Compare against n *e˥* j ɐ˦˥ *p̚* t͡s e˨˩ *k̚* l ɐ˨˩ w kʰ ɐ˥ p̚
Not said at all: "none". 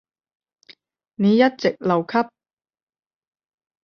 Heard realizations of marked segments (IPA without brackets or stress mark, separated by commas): e˨˧, t̚, k̚